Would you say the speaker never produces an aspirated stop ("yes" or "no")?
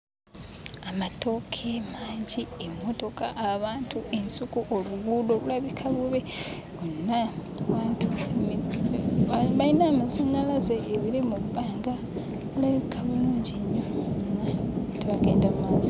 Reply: no